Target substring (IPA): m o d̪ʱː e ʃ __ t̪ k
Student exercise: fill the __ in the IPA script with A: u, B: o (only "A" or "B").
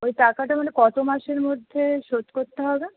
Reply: B